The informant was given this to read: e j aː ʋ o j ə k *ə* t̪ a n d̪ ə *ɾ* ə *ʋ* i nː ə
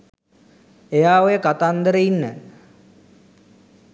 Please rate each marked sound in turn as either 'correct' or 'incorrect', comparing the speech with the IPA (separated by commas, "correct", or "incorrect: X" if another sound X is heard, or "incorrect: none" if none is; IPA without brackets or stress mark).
incorrect: a, correct, incorrect: none